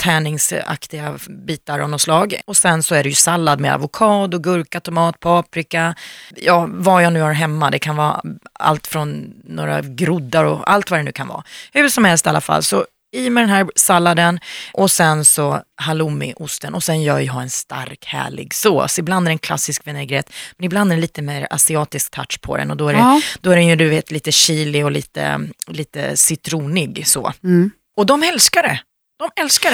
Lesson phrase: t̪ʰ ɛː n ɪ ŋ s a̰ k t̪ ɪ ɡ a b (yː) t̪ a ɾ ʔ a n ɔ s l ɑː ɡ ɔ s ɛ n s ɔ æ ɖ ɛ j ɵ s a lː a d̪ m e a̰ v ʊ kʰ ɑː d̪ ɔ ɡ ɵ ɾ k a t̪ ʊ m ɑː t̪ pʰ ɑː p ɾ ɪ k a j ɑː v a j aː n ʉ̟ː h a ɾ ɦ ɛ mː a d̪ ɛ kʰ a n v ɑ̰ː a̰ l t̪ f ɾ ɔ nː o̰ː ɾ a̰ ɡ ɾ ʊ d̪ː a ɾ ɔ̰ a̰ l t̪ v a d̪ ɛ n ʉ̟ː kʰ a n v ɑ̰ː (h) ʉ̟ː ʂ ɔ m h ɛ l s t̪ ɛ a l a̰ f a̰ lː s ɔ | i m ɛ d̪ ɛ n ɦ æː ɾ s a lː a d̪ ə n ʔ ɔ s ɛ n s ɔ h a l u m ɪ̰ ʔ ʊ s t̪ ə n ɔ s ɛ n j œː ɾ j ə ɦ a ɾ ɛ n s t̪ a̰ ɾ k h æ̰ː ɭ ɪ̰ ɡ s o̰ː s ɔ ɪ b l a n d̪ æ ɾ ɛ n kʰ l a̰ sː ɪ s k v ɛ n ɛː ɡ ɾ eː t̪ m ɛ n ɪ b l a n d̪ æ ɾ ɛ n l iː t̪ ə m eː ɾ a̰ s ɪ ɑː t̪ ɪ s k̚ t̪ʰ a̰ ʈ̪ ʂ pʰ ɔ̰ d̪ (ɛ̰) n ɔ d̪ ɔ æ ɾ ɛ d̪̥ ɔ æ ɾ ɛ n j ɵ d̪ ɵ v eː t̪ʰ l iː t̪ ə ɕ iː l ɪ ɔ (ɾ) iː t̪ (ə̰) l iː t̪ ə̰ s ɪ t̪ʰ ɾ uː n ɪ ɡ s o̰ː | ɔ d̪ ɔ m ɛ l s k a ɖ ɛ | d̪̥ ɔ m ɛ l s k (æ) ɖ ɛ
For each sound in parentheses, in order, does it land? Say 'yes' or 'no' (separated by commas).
no, yes, yes, no, yes, no